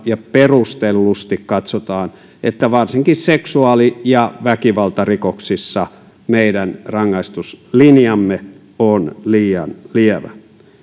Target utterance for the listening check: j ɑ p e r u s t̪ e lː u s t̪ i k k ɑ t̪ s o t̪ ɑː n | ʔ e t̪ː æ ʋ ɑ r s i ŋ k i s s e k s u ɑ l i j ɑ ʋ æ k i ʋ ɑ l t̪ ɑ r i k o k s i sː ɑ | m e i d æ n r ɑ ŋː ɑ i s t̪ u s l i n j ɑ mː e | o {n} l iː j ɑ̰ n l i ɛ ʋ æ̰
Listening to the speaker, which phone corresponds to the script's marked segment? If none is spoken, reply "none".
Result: n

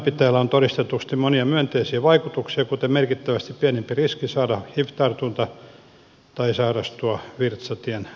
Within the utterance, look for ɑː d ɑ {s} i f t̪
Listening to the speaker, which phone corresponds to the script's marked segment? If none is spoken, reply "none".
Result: h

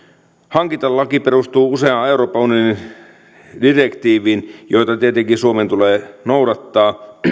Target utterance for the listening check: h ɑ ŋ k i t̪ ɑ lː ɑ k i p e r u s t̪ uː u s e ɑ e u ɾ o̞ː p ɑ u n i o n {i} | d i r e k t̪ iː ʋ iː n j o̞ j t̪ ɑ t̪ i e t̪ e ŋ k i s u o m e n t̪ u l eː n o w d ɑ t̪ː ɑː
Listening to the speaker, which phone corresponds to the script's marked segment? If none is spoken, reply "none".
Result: i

